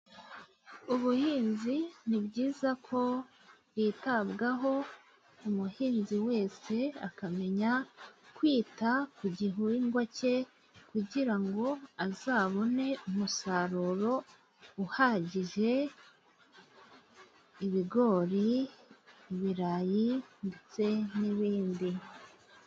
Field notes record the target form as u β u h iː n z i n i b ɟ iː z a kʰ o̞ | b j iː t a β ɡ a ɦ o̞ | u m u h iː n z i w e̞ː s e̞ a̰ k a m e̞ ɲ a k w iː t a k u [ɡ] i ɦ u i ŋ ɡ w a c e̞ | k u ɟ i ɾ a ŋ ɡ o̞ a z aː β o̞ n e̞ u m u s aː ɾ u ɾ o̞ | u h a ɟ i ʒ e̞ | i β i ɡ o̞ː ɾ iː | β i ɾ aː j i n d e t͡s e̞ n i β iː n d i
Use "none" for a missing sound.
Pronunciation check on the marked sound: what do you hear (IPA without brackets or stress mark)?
ɟ